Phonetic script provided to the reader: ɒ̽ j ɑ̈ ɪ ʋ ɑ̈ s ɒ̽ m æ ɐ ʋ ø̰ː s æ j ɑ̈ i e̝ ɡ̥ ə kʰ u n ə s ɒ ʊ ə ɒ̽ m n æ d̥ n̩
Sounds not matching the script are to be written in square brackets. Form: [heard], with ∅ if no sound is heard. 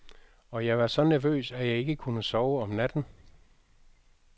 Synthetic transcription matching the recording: ɒ̽ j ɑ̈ ɪ ʋ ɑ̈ s ɒ̽ [n] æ ɐ ʋ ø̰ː s æ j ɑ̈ [ɪ] e̝ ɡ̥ ə kʰ u n ə s ɒ ʊ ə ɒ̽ m n æ d̥ n̩